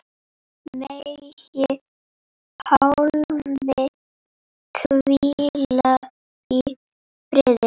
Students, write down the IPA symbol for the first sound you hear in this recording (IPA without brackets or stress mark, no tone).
m